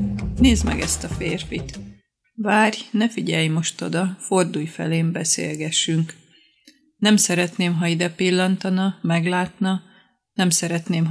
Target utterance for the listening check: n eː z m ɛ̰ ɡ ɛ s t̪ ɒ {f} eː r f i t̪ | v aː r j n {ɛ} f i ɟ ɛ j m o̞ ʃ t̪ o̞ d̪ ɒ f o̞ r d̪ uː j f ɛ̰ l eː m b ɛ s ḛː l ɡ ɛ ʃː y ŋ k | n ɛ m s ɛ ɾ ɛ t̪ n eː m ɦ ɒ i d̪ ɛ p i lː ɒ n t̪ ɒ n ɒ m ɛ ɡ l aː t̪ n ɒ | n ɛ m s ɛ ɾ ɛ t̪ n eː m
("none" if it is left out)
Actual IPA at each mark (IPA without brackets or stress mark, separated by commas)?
f, ɛ